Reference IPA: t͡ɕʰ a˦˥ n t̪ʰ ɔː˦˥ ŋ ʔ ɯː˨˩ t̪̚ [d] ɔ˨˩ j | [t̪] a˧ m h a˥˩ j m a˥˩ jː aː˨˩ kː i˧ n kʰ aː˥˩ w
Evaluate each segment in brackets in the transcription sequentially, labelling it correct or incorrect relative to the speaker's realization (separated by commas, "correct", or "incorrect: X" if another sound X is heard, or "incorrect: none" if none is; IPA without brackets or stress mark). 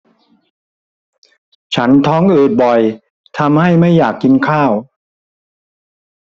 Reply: incorrect: b, incorrect: t̪ʰ